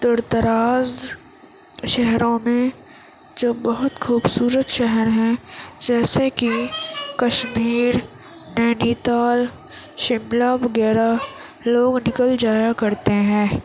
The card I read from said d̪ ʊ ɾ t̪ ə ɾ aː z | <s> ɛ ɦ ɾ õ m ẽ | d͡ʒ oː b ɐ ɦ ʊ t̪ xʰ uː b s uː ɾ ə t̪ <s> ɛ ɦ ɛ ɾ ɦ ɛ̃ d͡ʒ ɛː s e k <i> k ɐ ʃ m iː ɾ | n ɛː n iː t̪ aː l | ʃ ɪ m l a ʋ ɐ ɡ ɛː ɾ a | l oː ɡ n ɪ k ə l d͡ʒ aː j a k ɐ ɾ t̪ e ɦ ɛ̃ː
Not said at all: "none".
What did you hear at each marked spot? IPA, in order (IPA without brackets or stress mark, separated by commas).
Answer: ʃ, ʃ, i